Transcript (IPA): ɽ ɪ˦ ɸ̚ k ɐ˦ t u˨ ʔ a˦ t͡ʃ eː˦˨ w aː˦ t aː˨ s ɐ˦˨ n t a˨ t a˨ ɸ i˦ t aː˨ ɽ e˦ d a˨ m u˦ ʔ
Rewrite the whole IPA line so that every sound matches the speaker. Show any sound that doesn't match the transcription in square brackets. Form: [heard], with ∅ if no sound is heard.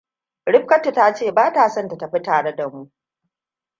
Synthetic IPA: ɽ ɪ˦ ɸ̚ k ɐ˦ t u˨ [t] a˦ t͡ʃ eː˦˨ [b] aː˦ t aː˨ s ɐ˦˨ n t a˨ t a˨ ɸ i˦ t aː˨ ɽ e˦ d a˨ m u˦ ʔ